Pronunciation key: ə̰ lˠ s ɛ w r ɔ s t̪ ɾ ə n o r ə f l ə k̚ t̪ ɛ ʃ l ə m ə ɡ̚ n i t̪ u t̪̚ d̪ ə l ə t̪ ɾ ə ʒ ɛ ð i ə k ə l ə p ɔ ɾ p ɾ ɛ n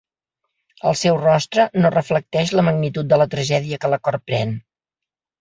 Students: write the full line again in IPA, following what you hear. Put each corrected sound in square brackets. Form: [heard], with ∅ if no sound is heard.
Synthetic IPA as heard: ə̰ lˠ s ɛ w r ɔ s t̪ ɾ ə n o r ə f l ə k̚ t̪ ɛ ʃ l ə m ə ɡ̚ n i t̪ u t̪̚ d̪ ə l ə t̪ ɾ ə ʒ ɛ ð i ə k ə l ə [k] ɔ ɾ p ɾ ɛ n